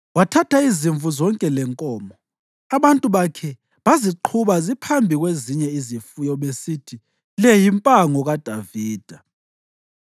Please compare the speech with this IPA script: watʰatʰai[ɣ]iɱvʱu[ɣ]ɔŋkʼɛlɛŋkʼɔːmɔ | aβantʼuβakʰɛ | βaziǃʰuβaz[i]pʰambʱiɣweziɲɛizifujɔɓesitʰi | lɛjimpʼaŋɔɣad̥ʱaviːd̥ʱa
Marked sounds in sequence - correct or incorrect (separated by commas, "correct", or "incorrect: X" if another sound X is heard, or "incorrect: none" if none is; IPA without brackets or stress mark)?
incorrect: z, incorrect: z, correct